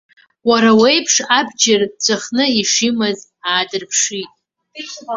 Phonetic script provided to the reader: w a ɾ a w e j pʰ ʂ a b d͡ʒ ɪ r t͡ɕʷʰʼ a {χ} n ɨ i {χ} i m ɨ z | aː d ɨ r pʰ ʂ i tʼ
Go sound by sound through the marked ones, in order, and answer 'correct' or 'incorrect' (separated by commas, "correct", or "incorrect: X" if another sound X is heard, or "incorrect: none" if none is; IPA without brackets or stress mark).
correct, incorrect: ʂ